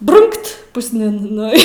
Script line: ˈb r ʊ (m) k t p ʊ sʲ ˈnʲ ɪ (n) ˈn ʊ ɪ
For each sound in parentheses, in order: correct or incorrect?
incorrect, correct

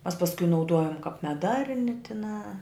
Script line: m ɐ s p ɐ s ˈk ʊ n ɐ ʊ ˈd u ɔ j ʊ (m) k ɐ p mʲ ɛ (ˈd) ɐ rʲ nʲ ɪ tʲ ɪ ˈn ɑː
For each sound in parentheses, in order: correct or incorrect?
correct, correct

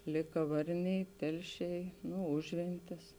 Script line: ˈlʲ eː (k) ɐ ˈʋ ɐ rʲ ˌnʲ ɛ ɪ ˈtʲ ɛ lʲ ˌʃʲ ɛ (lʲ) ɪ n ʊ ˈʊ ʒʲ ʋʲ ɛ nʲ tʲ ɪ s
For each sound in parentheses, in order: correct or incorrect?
correct, incorrect

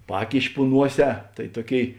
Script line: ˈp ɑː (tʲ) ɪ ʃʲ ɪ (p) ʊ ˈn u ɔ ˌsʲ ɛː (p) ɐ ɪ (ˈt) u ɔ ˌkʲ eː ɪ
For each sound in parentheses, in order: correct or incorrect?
incorrect, correct, incorrect, correct

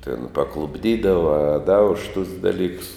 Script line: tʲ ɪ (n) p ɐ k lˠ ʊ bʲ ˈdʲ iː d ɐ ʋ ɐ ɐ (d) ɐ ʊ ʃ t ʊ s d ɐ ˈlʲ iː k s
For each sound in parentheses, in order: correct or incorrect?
correct, correct

